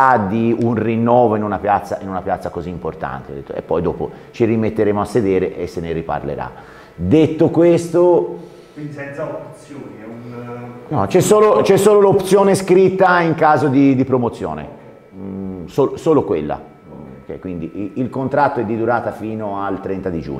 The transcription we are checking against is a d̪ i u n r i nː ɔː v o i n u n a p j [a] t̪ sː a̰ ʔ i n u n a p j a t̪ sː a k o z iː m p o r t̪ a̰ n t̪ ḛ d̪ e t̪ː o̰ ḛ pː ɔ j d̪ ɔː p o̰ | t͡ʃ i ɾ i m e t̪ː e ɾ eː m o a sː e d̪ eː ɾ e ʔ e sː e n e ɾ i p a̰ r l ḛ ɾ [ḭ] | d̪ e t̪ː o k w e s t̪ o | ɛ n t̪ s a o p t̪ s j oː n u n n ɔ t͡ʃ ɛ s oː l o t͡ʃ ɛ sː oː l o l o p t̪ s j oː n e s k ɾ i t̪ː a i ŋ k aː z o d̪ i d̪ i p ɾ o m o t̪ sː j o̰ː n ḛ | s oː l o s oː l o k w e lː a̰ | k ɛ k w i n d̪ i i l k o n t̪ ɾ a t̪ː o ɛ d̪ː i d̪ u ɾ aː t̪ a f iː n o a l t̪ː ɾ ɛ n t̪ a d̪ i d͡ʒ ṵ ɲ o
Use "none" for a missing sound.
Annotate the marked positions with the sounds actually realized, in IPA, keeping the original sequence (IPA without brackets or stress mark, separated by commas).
a, a̰